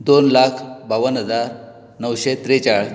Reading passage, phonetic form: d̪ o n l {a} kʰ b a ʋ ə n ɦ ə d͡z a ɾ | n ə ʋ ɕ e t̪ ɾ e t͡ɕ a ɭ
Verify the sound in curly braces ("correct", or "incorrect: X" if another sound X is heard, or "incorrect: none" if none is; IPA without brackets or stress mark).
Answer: correct